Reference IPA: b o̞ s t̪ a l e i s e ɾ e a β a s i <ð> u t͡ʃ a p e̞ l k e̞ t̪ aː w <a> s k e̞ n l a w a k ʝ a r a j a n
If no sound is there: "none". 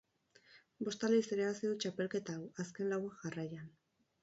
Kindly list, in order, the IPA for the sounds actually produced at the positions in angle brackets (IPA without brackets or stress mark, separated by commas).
ð, a